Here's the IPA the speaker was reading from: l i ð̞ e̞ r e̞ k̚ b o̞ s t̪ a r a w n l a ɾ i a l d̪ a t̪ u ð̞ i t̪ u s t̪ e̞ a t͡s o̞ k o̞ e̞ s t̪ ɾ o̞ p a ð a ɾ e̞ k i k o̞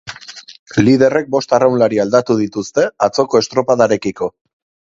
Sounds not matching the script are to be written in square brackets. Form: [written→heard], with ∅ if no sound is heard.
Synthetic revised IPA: l i ð̞ e̞ r e̞ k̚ b o̞ s t̪ a r a w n l a ɾ i a l d̪ a t̪ u ð̞ i t̪ u s t̪ e̞ a t͡s o̞ k o̞ e̞ s t̪ ɾ o̞ p a ð a ɾ e̞ k i k o̞